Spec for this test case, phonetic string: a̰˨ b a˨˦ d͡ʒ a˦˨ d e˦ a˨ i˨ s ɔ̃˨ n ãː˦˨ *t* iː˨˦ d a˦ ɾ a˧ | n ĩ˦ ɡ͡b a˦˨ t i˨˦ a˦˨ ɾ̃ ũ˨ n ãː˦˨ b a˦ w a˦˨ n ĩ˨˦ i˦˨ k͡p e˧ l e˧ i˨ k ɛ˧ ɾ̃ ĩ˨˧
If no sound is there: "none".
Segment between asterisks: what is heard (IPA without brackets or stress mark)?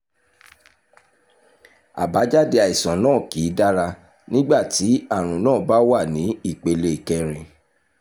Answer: k